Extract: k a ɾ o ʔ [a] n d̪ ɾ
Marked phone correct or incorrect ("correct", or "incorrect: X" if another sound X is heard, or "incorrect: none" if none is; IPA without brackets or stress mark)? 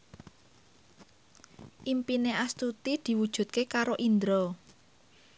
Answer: incorrect: i